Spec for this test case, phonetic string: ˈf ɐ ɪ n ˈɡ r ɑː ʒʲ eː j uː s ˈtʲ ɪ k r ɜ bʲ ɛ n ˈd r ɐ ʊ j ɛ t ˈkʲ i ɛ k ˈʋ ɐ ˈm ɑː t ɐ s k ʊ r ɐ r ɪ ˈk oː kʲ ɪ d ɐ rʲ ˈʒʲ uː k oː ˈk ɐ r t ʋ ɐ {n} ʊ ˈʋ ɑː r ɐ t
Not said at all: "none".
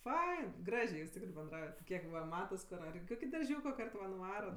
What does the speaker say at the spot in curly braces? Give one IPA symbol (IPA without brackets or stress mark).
n